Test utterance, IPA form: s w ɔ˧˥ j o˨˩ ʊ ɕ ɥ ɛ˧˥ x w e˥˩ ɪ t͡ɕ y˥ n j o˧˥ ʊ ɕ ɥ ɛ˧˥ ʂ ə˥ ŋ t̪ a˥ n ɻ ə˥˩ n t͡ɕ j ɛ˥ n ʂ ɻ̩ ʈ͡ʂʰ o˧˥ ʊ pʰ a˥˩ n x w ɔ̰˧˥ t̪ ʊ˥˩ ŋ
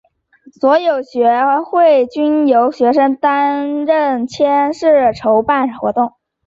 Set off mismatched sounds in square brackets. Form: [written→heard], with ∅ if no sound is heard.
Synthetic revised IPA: s w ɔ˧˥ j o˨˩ ʊ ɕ ɥ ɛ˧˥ x w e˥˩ ɪ t͡ɕ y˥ n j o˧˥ ʊ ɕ ɥ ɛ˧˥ ʂ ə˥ ŋ t̪ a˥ n ɻ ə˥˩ n [t͡ɕ→t͡ɕʰ] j ɛ˥ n ʂ ɻ̩ ʈ͡ʂʰ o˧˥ ʊ [pʰ→p] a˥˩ n x w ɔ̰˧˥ t̪ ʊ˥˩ ŋ